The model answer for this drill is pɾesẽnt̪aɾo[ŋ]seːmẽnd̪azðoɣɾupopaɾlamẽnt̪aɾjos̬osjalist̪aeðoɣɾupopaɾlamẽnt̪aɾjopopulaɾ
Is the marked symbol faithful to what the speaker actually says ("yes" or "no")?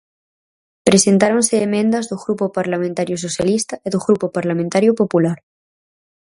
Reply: no